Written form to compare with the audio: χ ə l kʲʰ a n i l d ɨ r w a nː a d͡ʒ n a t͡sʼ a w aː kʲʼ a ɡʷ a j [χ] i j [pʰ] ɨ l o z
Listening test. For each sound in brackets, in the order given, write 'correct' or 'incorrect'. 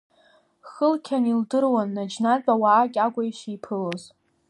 incorrect: ʃ, correct

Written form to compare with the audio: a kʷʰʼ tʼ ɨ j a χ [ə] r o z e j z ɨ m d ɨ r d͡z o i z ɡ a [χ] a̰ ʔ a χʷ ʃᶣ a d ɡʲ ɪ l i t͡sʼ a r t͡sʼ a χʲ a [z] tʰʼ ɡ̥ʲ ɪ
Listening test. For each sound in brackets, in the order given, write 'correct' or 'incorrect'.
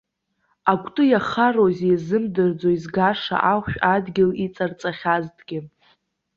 incorrect: a, incorrect: ʂ, correct

